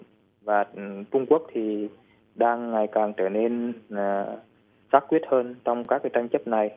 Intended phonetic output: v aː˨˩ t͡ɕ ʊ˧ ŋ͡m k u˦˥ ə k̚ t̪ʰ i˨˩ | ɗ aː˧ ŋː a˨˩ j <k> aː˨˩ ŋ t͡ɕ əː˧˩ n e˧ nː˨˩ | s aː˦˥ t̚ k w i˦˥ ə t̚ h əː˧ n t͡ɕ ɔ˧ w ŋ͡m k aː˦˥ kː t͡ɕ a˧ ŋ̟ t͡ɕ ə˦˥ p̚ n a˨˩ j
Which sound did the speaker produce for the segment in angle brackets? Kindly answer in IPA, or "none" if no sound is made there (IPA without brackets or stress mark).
k